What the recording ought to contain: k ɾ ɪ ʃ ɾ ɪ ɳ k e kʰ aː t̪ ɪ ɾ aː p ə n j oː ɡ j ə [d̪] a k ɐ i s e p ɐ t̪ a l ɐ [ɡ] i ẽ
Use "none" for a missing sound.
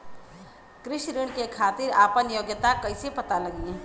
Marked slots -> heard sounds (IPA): t̪, ɡ

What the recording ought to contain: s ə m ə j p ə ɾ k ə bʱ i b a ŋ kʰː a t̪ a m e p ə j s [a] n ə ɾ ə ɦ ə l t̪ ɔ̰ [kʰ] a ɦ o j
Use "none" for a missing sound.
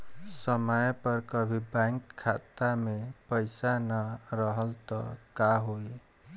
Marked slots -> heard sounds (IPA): a, k

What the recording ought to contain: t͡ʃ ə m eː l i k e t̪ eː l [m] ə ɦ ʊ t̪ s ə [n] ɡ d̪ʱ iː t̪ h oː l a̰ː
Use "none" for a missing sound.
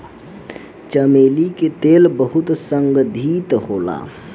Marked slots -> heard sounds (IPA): b, ŋ

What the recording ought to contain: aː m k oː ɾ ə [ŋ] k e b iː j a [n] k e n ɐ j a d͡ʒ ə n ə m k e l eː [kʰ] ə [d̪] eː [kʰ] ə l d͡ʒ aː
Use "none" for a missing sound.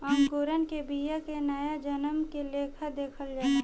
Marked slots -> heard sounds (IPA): n, none, kʰ, d̪, kʰ

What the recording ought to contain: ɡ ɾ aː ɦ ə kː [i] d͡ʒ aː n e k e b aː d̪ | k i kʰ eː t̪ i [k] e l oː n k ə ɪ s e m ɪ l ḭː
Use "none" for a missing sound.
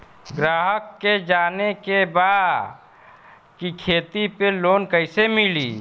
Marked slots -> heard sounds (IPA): e, p

